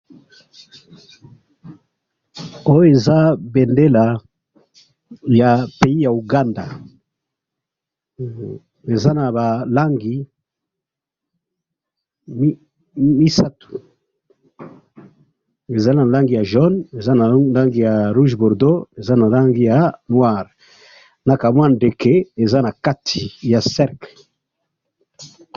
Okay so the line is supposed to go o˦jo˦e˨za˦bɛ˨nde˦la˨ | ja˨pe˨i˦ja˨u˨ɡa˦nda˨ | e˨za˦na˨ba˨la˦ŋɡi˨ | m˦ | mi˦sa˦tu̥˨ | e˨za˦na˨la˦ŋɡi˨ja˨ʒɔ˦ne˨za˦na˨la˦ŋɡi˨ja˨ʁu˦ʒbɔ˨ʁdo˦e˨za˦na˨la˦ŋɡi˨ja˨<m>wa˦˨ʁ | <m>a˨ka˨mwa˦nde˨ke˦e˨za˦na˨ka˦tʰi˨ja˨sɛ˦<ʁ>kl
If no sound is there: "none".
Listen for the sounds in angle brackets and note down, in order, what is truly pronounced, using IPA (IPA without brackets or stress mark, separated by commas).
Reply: n, n, ʁ